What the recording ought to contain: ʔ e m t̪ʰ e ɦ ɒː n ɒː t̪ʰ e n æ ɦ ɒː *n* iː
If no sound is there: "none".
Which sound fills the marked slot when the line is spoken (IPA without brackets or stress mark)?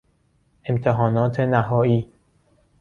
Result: none